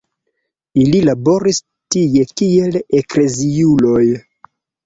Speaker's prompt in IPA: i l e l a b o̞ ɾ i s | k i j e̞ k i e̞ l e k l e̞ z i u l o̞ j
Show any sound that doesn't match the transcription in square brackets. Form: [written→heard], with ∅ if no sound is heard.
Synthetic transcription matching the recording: i l [e→i] l a b o̞ ɾ i s | [k→t] i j e̞ k i e̞ l e k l e̞ z i u l o̞ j